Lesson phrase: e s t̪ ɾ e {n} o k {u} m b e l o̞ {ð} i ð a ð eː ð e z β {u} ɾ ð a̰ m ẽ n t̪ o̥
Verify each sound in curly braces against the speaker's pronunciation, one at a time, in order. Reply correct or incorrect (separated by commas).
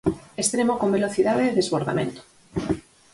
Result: incorrect, incorrect, incorrect, incorrect